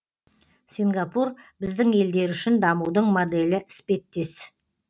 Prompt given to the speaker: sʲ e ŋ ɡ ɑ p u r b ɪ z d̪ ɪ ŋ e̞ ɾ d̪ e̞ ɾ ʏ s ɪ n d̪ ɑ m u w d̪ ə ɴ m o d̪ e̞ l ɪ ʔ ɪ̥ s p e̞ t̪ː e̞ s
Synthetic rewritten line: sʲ i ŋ ɡ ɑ p u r b ɪ z d̪ ɪ ŋ e̞ l d̪ e̞ ɾ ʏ ʃ ɪ n d̪ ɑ m u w d̪ ə ɴ m o d̪ e̞ l ɪ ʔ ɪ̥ s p e̞ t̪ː e̞ s